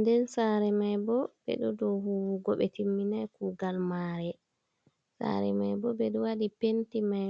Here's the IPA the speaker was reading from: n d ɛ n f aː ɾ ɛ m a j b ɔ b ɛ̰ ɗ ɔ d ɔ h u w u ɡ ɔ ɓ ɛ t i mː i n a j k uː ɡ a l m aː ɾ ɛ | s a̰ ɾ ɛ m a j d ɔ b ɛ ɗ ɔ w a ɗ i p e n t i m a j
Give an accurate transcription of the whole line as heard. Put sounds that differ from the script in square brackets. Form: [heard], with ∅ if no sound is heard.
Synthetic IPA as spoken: n d ɛ n [s] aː ɾ ɛ m a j b ɔ b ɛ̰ ɗ ɔ d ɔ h u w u ɡ ɔ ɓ ɛ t i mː i n a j k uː ɡ a l m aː ɾ ɛ | s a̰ ɾ ɛ m a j [b] ɔ b ɛ ɗ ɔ w a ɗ i p e n t i m a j